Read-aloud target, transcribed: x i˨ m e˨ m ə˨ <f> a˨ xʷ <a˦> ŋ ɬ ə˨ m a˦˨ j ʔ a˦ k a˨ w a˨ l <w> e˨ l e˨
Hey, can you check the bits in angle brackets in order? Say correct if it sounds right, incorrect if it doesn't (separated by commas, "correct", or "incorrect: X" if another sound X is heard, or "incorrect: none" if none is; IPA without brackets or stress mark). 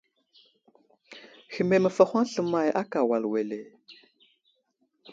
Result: correct, correct, correct